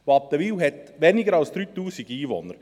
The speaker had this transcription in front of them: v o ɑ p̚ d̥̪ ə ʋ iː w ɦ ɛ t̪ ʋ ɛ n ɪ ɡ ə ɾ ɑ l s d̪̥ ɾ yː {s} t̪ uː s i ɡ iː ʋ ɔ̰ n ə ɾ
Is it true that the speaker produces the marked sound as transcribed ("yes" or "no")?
no